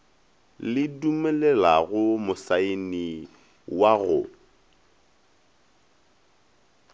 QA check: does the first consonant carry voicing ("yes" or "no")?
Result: yes